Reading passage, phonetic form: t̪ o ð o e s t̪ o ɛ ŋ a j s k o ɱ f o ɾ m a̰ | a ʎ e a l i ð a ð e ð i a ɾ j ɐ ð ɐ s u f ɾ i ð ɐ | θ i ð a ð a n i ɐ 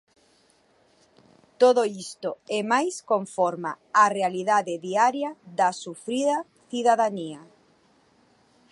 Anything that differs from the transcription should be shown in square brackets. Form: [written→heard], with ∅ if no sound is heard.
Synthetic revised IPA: t̪ o ð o [e→i] s t̪ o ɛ [ŋ→m] a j s k o ɱ f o ɾ m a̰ | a [ʎ→r] e a l i ð a ð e ð i a ɾ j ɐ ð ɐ s u f ɾ i ð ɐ | θ i ð a ð a n i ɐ